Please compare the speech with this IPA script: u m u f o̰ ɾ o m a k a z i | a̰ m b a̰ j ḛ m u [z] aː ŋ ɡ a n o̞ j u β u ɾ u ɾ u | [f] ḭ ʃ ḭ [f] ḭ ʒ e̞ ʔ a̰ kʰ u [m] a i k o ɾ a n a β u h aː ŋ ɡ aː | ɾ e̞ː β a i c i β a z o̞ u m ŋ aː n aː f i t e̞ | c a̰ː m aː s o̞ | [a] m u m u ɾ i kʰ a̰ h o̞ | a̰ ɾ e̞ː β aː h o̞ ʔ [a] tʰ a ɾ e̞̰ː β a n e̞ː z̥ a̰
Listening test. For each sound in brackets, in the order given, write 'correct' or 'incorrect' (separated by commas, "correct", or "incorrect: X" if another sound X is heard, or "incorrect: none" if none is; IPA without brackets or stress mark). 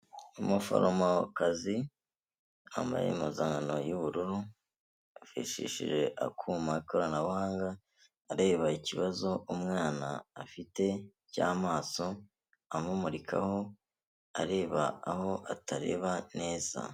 correct, correct, incorrect: ʃ, correct, correct, correct